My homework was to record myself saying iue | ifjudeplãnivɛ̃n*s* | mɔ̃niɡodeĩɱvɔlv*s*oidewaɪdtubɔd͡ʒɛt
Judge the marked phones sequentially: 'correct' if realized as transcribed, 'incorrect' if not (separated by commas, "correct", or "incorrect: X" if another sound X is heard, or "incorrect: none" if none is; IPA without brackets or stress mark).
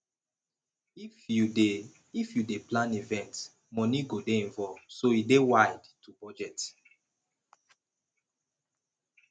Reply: incorrect: t, correct